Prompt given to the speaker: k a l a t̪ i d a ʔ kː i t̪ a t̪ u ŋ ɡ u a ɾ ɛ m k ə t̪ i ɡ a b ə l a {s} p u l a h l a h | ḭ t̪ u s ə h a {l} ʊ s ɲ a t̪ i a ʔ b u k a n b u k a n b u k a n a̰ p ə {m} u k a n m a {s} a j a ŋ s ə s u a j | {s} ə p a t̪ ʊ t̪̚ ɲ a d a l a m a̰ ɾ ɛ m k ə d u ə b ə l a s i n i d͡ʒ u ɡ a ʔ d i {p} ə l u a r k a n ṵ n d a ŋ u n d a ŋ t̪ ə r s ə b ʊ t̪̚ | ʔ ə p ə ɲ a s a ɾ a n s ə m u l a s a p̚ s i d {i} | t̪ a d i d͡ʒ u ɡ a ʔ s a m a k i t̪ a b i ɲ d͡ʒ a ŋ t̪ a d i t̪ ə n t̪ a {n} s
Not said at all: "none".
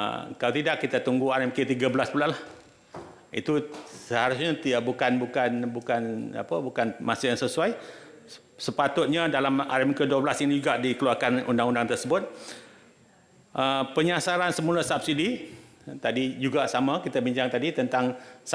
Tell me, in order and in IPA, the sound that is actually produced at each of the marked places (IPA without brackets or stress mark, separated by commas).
s, ɾ, b, s, s, k, i, ŋ